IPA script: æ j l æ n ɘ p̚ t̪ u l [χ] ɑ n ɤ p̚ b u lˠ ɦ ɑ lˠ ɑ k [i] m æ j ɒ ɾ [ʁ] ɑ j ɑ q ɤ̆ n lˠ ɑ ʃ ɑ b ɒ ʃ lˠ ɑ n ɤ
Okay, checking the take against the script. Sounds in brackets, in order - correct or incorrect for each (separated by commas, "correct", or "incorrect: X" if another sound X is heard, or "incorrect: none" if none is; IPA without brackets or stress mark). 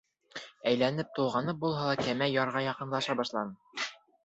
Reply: incorrect: ʁ, incorrect: æ, correct